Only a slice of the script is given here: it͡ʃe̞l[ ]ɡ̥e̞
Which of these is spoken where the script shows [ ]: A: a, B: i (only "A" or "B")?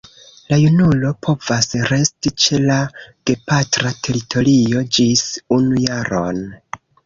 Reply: A